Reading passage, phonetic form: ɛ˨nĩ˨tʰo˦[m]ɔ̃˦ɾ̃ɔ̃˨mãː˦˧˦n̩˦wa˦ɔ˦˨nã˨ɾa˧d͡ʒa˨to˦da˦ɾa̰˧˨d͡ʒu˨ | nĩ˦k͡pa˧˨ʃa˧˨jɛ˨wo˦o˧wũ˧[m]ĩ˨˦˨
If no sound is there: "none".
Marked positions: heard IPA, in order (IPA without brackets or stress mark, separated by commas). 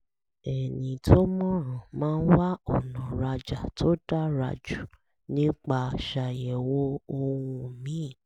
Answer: m, m